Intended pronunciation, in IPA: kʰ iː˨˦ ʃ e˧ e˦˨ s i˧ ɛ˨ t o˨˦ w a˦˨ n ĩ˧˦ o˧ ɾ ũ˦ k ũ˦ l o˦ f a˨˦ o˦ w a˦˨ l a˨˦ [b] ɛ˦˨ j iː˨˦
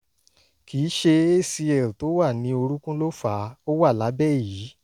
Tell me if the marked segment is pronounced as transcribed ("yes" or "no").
yes